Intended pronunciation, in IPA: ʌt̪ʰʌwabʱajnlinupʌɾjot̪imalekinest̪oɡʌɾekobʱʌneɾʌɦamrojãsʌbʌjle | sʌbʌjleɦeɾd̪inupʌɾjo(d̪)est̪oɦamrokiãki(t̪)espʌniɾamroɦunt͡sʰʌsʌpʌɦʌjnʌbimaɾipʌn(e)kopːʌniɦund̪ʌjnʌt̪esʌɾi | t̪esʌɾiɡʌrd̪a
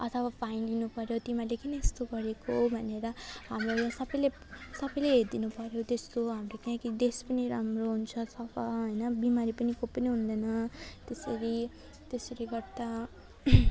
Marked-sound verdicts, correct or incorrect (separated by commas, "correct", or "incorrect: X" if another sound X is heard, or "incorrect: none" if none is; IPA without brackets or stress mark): incorrect: t̪, incorrect: d̪, incorrect: i